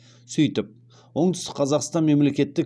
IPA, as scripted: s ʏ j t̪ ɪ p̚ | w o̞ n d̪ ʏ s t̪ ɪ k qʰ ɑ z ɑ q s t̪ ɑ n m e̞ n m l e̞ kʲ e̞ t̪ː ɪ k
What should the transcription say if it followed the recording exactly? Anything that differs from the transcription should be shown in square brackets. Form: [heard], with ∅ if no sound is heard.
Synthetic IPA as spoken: s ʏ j t̪ ɪ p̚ | w o̞ [ɴ] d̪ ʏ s t̪ ɪ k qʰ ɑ z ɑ q s t̪ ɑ n m e̞ [∅] m l e̞ kʲ e̞ t̪ː ɪ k

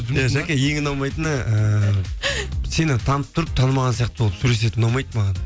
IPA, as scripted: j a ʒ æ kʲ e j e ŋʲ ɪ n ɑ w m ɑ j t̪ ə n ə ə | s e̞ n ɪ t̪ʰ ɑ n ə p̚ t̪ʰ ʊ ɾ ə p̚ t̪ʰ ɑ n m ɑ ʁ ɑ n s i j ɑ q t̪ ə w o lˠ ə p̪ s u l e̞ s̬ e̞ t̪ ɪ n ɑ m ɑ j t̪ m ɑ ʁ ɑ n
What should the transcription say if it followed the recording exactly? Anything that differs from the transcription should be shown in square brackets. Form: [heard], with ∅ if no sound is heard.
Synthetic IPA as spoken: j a ʒ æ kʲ e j e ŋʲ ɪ n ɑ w m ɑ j t̪ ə n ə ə | s e̞ n ɪ t̪ʰ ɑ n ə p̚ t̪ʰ ʊ ɾ ə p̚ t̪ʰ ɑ n m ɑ ʁ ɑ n s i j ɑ q t̪ ə [b] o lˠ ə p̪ s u l e̞ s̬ e̞ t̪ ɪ n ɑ m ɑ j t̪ m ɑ ʁ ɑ n

